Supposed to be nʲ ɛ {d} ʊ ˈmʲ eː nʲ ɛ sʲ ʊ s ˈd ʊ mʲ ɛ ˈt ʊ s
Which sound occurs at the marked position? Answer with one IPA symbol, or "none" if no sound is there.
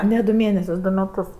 d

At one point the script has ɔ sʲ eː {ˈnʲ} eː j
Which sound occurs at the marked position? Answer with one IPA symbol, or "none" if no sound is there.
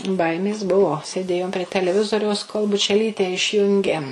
dʲ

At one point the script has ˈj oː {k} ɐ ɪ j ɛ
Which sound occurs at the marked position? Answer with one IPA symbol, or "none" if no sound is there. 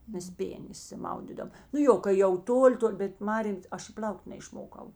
k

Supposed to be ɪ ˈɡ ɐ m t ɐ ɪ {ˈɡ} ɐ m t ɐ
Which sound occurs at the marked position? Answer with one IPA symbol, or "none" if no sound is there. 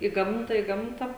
ɡ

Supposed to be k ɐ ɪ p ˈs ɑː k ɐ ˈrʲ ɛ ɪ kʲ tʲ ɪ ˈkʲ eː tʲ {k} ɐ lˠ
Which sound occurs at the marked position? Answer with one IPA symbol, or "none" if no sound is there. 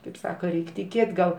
ɡ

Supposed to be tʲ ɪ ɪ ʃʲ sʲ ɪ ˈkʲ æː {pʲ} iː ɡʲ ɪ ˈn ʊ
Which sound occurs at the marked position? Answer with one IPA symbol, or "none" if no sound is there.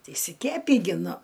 pʲ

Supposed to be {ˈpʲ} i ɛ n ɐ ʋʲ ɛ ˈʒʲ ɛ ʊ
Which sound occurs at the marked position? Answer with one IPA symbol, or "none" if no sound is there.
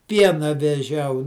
pʲ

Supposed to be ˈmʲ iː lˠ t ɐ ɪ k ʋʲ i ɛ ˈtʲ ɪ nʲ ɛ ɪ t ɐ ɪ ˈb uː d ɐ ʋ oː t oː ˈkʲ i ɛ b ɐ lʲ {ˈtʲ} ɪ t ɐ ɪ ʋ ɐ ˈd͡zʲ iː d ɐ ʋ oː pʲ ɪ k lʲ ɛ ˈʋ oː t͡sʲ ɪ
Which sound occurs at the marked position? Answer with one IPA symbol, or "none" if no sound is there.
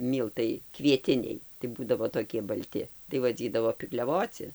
tʲ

